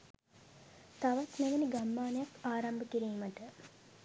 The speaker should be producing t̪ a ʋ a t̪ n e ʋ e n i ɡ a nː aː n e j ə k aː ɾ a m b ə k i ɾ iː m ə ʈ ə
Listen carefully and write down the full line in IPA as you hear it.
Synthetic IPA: t̪ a ʋ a t̪ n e ʋ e n i ɡ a mː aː n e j a k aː ɾ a m b ə k i ɾ iː m ə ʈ ə